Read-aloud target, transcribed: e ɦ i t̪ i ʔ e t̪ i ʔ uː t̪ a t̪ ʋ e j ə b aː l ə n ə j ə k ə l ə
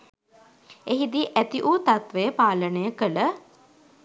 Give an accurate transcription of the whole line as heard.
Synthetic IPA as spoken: e ɦ i d̪ i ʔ æ t̪ i ʔ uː t̪ a t̪ ʋ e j ə p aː l ə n ə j ə k ə l ə